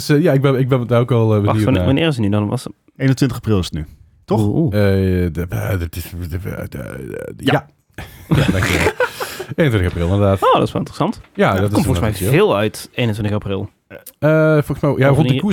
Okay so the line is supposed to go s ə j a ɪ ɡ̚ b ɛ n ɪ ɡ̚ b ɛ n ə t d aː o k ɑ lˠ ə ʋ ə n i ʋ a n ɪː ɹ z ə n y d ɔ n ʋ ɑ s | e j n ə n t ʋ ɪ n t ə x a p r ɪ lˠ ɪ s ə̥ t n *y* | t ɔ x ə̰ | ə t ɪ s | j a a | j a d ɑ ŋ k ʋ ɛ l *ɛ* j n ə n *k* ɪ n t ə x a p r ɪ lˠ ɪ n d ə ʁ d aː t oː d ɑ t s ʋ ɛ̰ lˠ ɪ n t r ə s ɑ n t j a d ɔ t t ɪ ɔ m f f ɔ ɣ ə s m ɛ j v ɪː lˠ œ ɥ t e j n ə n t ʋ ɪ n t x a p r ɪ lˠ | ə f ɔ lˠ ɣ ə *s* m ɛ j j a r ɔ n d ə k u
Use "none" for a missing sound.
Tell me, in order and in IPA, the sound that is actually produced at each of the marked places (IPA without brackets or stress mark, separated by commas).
y, e, t, s